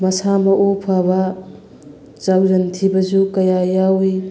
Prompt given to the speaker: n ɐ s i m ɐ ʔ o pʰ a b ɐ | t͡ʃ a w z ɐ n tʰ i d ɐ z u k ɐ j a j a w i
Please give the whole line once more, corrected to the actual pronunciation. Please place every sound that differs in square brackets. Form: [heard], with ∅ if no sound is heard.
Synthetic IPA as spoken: [m] ɐ s [a] m ɐ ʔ o pʰ a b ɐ | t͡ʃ a w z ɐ n tʰ i [b] ɐ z u k ɐ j a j a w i